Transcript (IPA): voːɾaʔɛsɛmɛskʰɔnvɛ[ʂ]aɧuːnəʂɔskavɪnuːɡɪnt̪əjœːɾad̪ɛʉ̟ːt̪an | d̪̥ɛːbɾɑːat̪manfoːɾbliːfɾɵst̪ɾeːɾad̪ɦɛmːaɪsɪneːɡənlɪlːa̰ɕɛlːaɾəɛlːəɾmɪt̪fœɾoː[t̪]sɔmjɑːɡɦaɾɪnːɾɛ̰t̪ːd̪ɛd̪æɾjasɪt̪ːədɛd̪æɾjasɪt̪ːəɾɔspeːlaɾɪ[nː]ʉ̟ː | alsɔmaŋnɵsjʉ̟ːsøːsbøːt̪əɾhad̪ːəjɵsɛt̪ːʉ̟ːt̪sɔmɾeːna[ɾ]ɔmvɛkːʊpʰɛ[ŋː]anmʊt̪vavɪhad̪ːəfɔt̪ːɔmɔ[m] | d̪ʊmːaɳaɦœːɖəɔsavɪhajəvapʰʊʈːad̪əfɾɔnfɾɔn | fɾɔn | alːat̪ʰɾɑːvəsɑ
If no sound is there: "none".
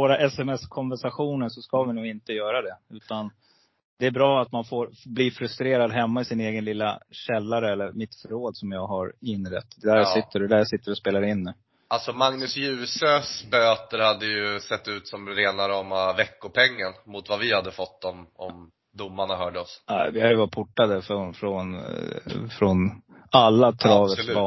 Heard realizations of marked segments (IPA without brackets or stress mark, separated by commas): ʂ, d̪, nː, ɾ, ŋː, m